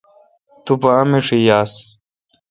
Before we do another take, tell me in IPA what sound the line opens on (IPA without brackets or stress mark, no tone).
t̪